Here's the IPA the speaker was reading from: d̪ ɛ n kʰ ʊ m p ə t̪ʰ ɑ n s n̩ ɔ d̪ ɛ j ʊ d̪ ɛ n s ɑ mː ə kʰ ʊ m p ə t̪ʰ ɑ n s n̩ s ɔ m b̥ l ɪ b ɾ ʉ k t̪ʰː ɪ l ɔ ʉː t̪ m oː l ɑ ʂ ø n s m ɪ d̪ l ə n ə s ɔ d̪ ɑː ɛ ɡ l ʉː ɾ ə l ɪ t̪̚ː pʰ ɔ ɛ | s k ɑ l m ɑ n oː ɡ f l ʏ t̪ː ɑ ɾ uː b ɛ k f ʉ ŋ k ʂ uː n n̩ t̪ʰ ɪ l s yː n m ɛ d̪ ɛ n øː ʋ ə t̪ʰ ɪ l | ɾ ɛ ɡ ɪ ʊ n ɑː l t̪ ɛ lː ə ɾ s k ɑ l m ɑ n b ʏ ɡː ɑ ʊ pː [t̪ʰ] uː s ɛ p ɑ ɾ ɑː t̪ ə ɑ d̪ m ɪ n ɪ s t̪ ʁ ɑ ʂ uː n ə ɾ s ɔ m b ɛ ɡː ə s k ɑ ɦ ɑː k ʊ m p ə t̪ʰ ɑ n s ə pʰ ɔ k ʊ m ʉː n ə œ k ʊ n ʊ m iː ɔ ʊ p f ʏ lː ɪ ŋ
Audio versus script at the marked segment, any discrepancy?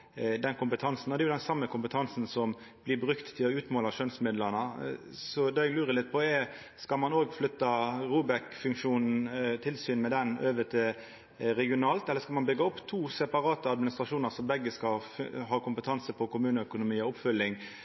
no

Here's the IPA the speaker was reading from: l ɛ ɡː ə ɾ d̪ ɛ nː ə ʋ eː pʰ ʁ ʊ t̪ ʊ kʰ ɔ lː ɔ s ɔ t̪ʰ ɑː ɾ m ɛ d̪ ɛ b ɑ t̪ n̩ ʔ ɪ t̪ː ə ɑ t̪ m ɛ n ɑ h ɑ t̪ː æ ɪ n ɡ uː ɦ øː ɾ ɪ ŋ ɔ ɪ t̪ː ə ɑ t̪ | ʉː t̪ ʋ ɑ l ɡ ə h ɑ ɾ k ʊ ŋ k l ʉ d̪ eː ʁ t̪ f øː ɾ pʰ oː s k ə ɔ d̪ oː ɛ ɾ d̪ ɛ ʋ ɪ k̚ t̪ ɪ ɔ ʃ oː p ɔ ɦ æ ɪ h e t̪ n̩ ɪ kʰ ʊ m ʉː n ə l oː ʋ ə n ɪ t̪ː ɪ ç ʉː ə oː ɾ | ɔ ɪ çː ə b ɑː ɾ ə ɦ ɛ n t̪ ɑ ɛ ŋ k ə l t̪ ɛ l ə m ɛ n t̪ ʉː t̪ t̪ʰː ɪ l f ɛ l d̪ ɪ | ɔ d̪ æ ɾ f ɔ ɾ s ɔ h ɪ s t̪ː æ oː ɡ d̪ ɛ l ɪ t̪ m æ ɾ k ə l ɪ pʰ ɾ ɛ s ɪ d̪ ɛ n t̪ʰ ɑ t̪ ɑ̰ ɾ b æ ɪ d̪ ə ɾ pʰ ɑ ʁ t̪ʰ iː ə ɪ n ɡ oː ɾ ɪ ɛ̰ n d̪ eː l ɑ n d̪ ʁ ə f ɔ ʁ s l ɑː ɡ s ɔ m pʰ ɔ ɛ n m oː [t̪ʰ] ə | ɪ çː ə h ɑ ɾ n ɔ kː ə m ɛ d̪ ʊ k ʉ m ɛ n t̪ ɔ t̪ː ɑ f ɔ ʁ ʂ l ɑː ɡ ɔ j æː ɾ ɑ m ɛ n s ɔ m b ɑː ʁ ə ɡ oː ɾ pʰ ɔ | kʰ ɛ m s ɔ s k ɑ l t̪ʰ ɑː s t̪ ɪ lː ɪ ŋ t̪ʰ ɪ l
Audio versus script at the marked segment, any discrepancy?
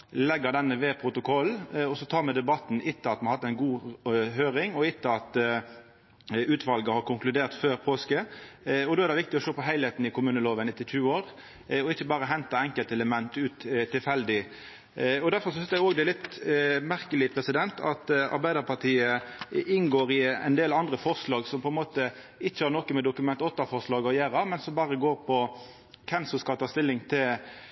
yes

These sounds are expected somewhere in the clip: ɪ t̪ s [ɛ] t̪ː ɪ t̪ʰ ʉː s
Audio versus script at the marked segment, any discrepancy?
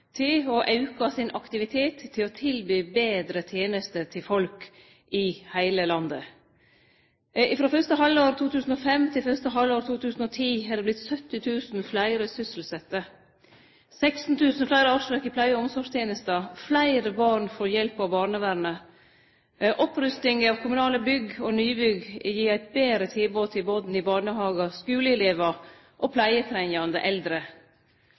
yes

